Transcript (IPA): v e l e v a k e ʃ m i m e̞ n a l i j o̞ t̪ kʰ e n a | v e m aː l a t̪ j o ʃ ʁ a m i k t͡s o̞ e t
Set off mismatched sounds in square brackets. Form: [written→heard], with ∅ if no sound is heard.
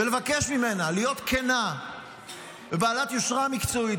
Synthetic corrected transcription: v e l e v a k e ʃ m i m e̞ n a l i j o̞ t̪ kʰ e n a | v e [m→b] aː l a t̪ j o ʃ ʁ a m i k t͡s o̞ [e→i] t